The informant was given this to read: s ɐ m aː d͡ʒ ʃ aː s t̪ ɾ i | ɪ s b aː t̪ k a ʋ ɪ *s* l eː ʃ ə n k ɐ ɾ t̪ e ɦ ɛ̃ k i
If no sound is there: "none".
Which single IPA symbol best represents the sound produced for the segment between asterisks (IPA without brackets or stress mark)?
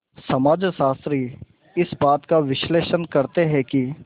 ʃ